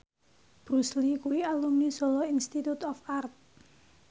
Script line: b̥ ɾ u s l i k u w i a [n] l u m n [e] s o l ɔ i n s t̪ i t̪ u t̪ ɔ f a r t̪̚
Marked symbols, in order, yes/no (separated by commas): no, no